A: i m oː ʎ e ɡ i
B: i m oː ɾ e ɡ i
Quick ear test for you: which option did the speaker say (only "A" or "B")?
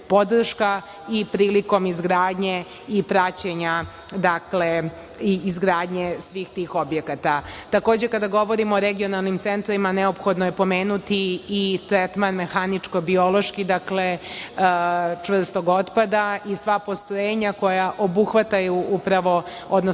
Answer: B